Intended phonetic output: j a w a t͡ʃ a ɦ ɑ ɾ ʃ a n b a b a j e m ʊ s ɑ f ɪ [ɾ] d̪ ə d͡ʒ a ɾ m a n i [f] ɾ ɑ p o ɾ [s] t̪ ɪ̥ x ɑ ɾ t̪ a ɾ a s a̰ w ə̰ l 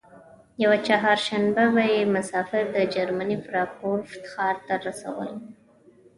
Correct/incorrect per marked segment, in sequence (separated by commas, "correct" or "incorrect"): correct, correct, incorrect